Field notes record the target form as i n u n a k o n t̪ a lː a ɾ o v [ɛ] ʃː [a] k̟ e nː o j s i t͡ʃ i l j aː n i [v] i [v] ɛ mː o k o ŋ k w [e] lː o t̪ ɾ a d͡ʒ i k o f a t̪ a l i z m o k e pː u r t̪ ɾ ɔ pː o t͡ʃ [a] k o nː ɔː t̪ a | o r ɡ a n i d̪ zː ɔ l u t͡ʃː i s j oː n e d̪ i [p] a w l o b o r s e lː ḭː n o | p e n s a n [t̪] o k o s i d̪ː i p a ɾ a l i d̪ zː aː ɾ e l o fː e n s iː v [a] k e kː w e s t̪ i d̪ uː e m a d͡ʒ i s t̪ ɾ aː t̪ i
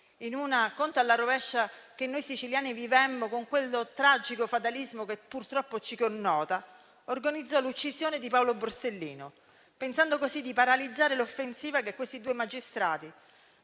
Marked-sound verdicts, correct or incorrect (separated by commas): correct, correct, correct, correct, correct, incorrect, correct, incorrect, correct